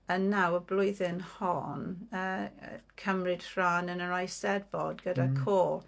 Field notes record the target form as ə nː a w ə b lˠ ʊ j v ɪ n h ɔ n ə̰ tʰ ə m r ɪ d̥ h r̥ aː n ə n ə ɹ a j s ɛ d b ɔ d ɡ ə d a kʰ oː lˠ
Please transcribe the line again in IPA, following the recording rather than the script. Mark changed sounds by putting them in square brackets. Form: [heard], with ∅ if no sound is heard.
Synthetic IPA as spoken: ə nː a w ə b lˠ ʊ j [ð] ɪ n h ɔ n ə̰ [kʰ] ə m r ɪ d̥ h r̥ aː n ə n ə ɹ a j s ɛ d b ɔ d ɡ ə d a kʰ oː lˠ